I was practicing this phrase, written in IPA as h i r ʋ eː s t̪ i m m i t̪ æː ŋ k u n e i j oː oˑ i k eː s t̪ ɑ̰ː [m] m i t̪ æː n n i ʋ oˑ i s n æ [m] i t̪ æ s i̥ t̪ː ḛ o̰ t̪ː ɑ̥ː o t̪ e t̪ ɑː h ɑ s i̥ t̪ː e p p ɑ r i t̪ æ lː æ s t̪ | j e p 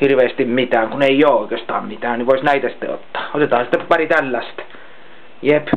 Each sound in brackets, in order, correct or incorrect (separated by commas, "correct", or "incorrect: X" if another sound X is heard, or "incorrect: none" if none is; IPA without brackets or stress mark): correct, incorrect: none